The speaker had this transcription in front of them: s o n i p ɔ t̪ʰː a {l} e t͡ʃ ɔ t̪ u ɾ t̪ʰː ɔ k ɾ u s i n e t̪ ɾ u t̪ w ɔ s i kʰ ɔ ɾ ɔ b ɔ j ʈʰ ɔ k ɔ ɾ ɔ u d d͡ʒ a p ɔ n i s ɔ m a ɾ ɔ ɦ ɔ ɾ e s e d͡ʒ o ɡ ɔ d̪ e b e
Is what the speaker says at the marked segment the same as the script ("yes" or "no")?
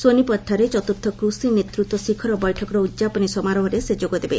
no